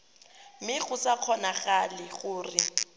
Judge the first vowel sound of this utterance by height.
high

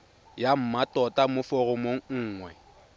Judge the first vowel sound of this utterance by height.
low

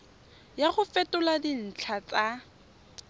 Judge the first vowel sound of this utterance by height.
low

